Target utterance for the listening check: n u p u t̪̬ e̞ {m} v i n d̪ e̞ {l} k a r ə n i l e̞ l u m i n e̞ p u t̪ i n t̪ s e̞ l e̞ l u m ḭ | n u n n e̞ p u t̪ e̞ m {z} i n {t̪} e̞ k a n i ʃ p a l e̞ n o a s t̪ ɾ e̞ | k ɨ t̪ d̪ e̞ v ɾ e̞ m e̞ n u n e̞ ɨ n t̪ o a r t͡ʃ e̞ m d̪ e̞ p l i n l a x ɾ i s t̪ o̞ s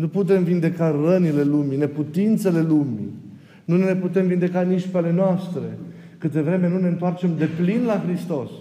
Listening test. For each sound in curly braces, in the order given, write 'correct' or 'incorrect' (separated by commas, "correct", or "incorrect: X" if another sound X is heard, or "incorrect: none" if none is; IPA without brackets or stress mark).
correct, incorrect: none, incorrect: v, incorrect: d̪